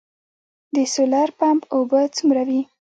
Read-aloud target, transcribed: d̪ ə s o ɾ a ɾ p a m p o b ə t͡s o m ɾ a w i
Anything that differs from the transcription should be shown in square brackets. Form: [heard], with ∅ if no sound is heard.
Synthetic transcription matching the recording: d̪ ə s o [l] a ɾ p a m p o b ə t͡s [u] m ɾ a w i